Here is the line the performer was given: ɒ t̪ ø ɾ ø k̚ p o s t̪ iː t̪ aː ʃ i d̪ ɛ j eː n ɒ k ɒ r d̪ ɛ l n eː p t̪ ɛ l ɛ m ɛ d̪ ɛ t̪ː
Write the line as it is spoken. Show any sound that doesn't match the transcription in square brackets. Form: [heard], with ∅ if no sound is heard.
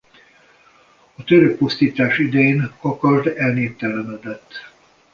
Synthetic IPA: ɒ t̪ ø ɾ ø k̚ p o s t̪ iː t̪ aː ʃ i d̪ ɛ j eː n ɒ k ɒ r d̪ ɛ l n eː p t̪ ɛ l ɛ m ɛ d̪ ɛ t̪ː